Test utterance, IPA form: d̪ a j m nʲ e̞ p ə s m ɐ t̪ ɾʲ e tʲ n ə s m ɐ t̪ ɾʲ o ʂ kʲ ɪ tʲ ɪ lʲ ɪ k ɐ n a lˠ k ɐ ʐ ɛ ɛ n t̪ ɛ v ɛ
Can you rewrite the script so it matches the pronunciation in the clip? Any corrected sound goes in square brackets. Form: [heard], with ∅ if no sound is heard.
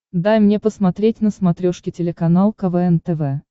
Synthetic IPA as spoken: d̪ a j m nʲ e̞ p ə s m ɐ t̪ ɾʲ e tʲ n ə s m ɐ t̪ ɾʲ o ʂ kʲ ɪ tʲ ɪ lʲ ɪ k ɐ n a lˠ k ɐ [v] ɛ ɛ n t̪ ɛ v ɛ